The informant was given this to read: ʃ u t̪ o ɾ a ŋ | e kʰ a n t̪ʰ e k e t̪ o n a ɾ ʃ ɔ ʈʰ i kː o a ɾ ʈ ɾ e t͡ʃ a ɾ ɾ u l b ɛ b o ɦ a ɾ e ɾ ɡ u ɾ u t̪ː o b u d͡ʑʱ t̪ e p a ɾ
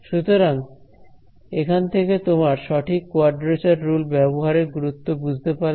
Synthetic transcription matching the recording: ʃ u t̪ o ɾ a ŋ | e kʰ a n t̪ʰ e k e t̪ o m a ɾ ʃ ɔ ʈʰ i kː o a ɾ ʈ ɾ e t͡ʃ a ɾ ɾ u l b ɛ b o ɦ a ɾ e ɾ ɡ u ɾ u t̪ː o b u d͡ʑʱ t̪ e p a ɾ